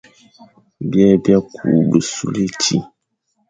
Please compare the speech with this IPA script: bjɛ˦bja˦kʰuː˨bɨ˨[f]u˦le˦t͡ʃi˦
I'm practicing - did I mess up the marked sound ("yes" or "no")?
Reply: yes